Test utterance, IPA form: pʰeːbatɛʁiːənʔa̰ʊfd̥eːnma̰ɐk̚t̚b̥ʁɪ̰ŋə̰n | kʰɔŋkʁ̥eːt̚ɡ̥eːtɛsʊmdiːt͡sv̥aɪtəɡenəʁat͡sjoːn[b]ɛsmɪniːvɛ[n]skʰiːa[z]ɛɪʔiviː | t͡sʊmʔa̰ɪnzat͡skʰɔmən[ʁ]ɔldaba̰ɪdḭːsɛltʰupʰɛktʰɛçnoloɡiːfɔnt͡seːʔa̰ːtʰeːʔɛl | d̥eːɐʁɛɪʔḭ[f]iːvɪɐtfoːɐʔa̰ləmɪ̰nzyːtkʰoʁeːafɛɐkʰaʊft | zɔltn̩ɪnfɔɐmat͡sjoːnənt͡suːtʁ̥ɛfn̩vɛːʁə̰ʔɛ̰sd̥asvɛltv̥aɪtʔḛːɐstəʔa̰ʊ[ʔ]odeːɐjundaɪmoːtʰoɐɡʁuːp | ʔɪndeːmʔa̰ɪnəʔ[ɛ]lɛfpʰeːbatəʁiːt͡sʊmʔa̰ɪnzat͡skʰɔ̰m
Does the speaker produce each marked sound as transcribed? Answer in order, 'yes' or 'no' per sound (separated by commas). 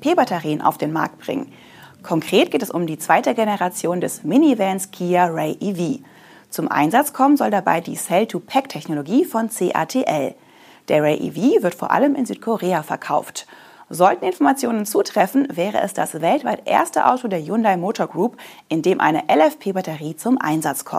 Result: no, yes, no, no, no, no, yes